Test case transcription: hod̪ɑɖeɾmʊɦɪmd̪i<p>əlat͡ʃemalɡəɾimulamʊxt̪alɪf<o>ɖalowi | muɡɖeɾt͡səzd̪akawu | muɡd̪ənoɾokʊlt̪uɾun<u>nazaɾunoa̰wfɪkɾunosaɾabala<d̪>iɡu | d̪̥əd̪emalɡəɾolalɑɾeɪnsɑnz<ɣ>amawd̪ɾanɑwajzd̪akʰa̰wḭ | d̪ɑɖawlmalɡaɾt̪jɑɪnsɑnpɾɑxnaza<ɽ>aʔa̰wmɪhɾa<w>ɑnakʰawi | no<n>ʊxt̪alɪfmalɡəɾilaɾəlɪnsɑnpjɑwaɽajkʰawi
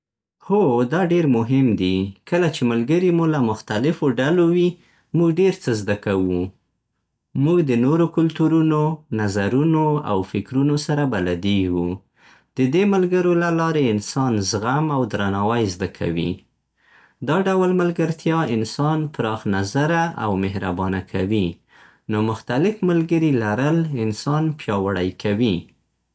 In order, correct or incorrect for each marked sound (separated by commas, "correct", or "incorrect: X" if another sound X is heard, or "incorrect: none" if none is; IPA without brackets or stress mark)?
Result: incorrect: k, correct, incorrect: o, correct, correct, incorrect: ɾ, incorrect: b, incorrect: m